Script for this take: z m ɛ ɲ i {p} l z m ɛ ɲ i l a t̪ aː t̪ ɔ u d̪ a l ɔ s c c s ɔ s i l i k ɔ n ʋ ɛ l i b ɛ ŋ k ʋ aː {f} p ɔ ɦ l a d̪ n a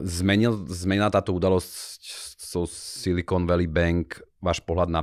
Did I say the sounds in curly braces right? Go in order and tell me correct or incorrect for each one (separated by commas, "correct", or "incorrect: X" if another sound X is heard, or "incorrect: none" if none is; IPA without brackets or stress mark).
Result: incorrect: none, incorrect: ʃ